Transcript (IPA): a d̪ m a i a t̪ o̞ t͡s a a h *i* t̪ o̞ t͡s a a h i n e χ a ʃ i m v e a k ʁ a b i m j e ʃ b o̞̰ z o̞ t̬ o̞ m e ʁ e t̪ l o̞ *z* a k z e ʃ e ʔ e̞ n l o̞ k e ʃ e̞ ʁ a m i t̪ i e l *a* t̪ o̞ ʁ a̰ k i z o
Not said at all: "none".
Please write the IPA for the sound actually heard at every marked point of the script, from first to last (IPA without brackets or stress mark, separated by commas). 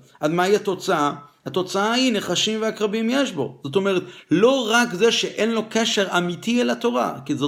a, ʁ, a